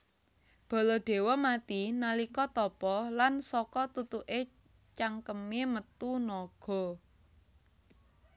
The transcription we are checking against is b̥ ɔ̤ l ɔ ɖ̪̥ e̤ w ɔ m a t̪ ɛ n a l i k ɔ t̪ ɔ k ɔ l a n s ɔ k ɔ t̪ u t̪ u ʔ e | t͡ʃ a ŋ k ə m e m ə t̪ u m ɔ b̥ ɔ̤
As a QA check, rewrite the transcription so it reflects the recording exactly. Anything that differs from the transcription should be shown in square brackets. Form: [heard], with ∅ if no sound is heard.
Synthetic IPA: b̥ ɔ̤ l ɔ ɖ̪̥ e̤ w ɔ m a t̪ [i] n a l i k ɔ t̪ ɔ [p] ɔ l a n s ɔ k ɔ t̪ u t̪ u ʔ e | t͡ʃ a ŋ k ə m e m ə t̪ u [n] ɔ [ɡ̥] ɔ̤